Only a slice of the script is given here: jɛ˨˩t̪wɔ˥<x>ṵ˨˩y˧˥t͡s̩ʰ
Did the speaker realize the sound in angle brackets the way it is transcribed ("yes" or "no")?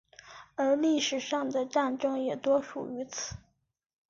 no